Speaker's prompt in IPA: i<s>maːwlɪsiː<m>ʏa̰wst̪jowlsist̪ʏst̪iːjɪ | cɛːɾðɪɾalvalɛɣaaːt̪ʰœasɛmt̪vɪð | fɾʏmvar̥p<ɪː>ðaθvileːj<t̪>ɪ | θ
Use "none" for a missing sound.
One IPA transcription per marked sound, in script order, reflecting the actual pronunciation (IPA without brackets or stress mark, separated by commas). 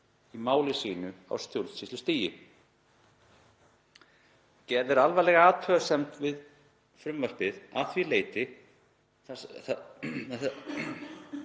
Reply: none, n, ɪ, t̪